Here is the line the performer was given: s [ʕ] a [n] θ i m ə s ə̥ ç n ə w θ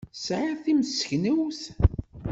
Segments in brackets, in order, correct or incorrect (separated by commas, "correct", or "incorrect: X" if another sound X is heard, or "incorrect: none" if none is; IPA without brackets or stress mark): correct, incorrect: none